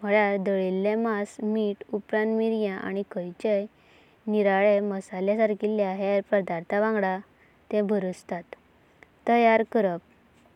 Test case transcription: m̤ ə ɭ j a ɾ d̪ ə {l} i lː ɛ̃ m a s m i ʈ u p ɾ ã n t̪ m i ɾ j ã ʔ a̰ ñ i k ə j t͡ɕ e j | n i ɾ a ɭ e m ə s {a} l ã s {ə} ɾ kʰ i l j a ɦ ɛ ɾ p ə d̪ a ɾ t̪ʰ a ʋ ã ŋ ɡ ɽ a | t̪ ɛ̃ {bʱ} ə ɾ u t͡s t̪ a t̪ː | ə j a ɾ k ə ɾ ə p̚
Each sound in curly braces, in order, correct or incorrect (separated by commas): incorrect, correct, incorrect, correct